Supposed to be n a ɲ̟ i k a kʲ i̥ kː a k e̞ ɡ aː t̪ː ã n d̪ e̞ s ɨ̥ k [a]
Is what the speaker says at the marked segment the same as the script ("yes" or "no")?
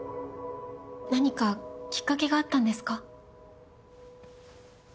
yes